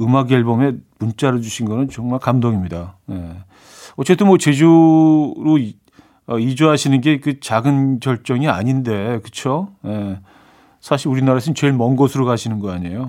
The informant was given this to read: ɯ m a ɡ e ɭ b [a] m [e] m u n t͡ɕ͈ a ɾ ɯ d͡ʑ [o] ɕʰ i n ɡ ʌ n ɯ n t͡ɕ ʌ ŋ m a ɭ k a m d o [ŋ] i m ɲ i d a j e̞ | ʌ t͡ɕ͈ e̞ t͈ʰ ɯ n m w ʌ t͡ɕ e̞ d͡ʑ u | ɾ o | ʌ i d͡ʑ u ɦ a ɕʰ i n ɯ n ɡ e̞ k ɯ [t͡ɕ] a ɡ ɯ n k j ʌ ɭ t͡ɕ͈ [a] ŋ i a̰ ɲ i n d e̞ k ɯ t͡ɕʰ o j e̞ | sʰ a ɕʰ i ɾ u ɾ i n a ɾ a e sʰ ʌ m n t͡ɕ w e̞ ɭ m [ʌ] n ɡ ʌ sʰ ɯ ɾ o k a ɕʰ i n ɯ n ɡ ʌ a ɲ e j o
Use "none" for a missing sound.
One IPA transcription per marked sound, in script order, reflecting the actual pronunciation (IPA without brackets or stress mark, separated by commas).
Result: ʌ, e, u, ŋ, t͡ɕ, ʌ, ʌ